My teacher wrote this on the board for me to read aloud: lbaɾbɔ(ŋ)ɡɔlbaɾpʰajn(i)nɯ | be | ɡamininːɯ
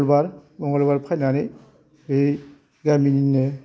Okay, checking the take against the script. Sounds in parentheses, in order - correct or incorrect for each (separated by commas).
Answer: correct, incorrect